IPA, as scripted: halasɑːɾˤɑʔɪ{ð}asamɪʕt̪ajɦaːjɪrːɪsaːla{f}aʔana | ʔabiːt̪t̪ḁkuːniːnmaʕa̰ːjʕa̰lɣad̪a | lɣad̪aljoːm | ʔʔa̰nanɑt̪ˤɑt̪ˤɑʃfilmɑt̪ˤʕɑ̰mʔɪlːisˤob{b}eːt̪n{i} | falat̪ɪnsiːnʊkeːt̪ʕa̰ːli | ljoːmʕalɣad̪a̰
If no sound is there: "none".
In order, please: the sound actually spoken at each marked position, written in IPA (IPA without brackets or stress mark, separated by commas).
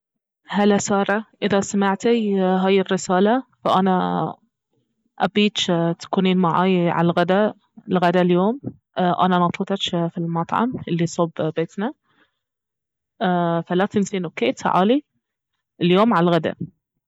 ð, f, b, a